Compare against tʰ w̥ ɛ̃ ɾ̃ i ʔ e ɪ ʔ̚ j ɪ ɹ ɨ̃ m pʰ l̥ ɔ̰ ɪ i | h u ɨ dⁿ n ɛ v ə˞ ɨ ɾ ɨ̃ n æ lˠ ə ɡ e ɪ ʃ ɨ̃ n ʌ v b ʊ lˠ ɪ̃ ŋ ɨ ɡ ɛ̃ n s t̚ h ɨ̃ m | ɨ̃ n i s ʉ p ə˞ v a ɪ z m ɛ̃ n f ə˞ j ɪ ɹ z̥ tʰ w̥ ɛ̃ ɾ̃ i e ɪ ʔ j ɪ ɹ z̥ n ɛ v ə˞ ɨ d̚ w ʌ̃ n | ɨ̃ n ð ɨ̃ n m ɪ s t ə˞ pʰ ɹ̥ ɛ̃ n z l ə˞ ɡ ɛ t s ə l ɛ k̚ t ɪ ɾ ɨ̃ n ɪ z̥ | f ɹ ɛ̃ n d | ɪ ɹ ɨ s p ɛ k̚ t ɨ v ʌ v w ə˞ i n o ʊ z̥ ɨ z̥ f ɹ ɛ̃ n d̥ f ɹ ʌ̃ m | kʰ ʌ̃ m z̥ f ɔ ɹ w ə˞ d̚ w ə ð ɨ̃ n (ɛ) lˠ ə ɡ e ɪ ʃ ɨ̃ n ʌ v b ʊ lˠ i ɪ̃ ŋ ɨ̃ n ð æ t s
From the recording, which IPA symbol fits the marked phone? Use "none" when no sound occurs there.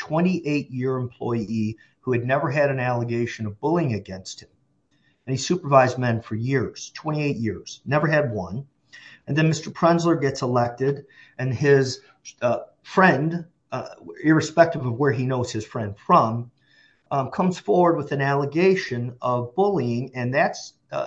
æ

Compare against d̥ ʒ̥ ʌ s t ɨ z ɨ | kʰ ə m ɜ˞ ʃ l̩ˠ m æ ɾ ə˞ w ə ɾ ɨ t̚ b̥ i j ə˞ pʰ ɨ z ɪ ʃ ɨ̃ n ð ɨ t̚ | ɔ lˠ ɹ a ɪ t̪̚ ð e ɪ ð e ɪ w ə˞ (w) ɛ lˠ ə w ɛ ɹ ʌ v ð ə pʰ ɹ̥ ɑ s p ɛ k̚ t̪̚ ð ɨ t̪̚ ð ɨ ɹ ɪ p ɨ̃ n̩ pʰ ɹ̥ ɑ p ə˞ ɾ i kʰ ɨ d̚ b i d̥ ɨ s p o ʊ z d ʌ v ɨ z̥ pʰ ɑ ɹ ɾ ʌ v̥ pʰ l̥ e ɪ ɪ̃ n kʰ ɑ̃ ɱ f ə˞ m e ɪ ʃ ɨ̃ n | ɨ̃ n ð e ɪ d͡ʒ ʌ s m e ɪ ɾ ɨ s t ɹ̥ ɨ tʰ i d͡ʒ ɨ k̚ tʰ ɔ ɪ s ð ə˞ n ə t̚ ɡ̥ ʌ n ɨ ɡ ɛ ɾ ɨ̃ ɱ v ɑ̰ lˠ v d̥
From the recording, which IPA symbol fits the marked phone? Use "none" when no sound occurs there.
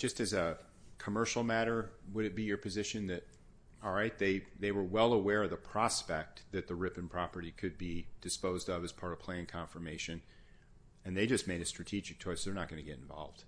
w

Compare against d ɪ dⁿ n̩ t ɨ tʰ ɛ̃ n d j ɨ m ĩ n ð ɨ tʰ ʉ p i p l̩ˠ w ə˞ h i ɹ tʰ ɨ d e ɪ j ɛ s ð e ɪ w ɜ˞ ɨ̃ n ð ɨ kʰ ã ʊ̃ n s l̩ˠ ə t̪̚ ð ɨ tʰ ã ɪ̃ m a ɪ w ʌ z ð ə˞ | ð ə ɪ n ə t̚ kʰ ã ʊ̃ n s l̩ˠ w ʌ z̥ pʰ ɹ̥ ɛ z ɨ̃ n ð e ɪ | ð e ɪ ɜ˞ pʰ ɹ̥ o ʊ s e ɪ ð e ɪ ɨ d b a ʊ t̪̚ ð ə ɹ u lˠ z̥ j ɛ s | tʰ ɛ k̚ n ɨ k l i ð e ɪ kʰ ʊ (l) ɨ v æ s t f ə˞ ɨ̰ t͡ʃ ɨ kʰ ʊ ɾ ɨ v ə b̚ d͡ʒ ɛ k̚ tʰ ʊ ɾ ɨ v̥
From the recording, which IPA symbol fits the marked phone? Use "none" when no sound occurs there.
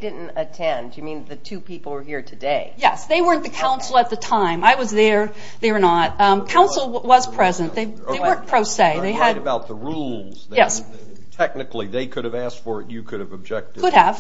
ɾ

